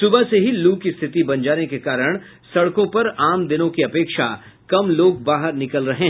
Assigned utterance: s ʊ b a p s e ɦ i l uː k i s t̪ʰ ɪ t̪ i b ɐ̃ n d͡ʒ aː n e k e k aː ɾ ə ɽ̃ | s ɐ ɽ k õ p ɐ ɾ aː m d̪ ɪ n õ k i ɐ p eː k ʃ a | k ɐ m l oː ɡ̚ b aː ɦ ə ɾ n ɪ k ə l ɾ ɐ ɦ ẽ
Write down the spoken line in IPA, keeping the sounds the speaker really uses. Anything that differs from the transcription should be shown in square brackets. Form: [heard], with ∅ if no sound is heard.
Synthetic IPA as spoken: s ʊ b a [∅] s e ɦ i l uː k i s t̪ʰ ɪ t̪ i b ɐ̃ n d͡ʒ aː n e k e k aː ɾ ə ɽ̃ | s ɐ ɽ k õ p ɐ ɾ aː m d̪ ɪ n õ k i ɐ p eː k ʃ a | k ɐ m l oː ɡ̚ b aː ɦ ə ɾ n ɪ k ə l ɾ ɐ ɦ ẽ